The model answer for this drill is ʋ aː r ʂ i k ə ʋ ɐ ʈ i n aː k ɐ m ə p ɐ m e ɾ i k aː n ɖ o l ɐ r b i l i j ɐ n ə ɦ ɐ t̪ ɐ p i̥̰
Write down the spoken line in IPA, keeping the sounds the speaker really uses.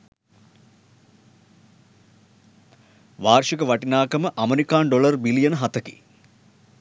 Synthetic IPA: ʋ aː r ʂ i k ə ʋ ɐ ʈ i n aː k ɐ m ə ʔ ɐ m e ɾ i k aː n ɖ o l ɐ r b i l i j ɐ n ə ɦ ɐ t̪ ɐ k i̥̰